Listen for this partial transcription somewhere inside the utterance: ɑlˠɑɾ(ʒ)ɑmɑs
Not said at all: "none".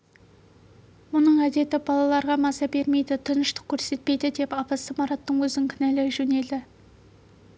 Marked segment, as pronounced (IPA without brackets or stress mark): ʁ